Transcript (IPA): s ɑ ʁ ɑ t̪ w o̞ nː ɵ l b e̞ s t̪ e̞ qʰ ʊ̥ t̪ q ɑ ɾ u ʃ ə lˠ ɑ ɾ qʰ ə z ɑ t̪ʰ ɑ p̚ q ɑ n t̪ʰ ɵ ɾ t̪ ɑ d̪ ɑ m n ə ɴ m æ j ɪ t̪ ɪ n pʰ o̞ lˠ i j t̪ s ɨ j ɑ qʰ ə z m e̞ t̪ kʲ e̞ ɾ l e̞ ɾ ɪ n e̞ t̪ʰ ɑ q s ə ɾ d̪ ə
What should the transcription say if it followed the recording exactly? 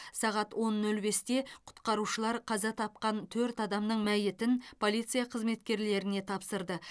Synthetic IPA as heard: s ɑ ʁ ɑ t̪ w o̞ nː ɵ l b e̞ s t̪ e̞ qʰ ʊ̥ t̪ q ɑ ɾ u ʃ ə lˠ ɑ ɾ qʰ ɑ z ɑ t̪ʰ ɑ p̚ q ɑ n t̪ʰ ɵ ɾ t̪ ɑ d̪ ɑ m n ə ɴ m æ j ɪ t̪ ɪ n pʰ o̞ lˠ i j t̪ s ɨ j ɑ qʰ ə z m e̞ t̪ kʲ e̞ ɾ l e̞ ɾ ɪ n e̞ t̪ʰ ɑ p s ə ɾ d̪ ə